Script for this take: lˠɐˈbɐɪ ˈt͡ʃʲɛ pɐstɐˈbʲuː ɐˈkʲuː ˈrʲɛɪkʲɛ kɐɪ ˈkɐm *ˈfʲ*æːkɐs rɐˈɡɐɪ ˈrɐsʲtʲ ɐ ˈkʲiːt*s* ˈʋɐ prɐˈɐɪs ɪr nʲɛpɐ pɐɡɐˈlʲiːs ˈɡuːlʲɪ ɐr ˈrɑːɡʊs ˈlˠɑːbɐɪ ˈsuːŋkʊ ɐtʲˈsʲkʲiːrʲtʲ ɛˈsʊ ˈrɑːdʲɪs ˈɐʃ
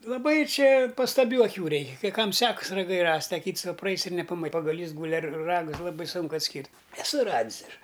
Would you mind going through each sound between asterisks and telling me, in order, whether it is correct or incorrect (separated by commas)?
incorrect, correct